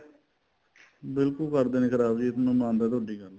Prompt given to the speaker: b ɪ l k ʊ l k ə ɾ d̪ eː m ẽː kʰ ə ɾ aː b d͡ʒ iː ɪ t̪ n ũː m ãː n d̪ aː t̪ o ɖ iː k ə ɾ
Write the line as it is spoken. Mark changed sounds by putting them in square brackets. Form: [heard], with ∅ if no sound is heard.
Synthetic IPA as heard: b ɪ l k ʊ l k ə ɾ d̪ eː [n] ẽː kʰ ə ɾ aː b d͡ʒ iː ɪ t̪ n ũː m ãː n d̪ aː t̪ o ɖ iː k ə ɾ